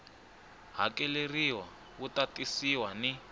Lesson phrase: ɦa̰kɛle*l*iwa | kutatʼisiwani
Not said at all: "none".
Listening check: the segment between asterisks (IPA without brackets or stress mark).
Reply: r